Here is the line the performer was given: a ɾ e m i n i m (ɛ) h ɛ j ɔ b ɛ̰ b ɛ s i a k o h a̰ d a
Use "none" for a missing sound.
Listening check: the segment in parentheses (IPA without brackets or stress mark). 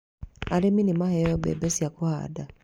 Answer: a